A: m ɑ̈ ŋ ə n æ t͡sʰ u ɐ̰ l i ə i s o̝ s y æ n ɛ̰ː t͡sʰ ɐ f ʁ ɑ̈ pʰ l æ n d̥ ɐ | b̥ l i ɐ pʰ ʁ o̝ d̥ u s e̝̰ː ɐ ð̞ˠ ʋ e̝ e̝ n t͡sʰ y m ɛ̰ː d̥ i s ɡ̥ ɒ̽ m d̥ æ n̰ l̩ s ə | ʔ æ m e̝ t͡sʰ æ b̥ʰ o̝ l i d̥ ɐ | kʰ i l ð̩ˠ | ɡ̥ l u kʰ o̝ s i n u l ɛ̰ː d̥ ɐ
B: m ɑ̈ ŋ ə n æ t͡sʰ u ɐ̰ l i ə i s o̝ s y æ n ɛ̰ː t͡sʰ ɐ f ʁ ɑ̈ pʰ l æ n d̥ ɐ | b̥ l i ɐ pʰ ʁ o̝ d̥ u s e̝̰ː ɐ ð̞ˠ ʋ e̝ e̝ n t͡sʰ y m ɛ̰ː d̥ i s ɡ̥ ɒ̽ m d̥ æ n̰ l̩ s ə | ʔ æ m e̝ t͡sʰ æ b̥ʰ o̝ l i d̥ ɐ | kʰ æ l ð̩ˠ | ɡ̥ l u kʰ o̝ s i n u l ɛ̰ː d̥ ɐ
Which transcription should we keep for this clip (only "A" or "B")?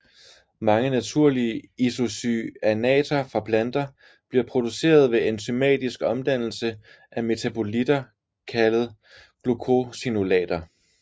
B